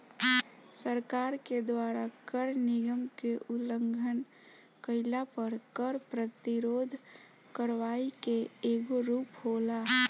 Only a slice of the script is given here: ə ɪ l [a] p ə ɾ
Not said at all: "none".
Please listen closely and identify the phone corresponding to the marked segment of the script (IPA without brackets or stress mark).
a